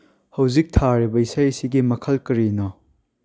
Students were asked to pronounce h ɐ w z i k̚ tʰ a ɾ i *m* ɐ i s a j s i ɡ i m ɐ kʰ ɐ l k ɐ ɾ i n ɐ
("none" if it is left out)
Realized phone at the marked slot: b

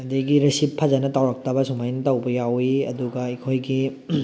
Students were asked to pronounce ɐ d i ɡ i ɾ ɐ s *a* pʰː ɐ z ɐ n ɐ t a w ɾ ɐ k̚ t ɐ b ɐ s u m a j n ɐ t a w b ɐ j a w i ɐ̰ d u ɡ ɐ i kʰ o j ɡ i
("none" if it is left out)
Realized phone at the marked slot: i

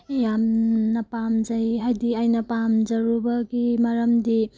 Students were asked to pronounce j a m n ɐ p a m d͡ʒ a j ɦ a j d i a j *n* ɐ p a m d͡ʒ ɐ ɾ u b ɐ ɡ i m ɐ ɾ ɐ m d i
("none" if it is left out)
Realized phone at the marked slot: n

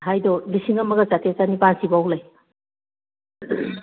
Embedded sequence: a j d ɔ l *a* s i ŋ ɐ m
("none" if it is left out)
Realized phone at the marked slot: i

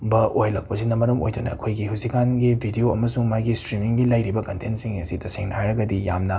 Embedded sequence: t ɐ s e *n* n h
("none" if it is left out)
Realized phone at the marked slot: ŋ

